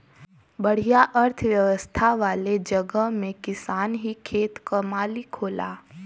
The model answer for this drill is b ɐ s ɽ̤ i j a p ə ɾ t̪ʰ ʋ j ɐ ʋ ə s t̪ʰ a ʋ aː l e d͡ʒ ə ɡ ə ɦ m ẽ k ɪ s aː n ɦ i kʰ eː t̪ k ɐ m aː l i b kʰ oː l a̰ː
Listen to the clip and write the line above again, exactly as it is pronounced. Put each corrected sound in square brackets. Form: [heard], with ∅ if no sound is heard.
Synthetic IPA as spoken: b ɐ [∅] ɽ̤ i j a [ʔ] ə ɾ t̪ʰ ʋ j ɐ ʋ ə s t̪ʰ a ʋ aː l e d͡ʒ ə ɡ ə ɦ m ẽ k ɪ s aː n ɦ i kʰ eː t̪ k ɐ m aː l i [∅] kʰ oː l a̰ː